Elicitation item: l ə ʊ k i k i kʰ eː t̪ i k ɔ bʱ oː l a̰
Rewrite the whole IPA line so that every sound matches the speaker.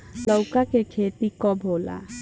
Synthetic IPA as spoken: l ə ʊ k a k e kʰ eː t̪ i k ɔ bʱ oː l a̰